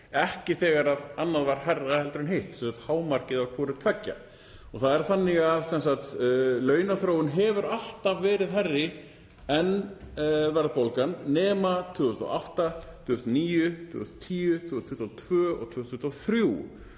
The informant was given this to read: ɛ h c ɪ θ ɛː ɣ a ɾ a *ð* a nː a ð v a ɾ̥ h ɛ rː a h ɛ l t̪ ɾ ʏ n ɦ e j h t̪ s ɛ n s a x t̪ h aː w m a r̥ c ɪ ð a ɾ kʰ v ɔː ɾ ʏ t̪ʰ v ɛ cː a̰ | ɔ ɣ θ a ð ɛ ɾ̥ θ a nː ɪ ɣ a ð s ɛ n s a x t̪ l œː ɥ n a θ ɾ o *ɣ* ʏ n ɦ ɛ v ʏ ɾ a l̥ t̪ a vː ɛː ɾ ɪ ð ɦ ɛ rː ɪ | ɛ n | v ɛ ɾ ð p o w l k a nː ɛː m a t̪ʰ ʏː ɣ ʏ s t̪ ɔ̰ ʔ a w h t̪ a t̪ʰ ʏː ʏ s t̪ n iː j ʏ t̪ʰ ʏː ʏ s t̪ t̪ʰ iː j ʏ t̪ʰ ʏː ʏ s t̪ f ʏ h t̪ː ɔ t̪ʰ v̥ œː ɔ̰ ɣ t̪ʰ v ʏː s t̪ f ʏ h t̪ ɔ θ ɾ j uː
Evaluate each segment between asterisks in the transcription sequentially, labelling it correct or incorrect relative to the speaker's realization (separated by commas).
correct, incorrect